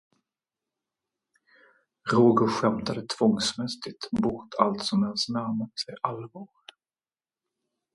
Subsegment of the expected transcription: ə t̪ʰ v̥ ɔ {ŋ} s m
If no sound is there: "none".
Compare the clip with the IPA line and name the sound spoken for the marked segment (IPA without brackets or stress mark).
ŋ